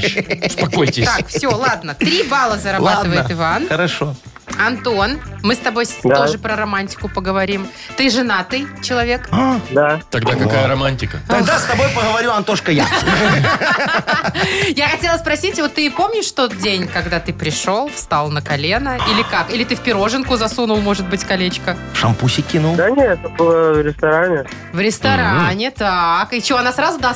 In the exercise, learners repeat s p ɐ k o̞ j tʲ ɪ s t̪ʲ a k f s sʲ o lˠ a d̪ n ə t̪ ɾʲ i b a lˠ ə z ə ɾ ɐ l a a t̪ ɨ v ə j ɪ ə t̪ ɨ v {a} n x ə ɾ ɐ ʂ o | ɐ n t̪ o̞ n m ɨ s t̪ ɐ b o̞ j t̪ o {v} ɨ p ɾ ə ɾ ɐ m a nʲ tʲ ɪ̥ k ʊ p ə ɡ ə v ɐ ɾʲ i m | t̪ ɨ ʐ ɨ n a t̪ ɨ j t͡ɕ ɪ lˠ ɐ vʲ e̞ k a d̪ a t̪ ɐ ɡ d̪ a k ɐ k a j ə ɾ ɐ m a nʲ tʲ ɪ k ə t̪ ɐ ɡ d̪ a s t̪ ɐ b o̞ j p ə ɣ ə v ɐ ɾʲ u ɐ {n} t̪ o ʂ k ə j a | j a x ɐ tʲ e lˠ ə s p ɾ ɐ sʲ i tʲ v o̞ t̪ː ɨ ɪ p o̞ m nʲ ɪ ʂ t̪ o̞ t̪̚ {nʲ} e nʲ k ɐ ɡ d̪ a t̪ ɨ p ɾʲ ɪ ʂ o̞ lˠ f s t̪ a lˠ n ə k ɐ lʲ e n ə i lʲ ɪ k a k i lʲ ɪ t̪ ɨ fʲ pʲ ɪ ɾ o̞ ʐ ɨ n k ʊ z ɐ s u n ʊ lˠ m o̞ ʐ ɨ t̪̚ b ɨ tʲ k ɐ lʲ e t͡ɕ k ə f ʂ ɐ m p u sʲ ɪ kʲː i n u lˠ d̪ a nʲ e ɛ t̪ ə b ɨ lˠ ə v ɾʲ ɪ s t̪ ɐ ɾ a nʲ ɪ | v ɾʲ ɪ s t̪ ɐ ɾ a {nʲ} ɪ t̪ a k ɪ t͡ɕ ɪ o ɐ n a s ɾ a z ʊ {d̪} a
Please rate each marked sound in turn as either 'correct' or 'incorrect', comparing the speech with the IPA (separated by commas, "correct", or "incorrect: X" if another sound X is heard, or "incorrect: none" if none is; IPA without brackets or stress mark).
correct, incorrect: ʐ, correct, incorrect: dʲ, correct, correct